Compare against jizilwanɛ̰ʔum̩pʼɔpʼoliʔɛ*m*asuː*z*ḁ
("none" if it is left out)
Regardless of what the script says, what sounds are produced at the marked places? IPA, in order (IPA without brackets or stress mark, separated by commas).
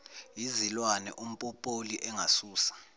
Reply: ŋ, s